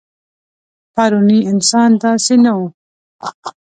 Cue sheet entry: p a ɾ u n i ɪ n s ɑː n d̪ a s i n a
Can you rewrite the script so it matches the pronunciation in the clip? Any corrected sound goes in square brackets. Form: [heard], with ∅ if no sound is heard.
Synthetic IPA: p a ɾ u n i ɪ n s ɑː n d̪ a s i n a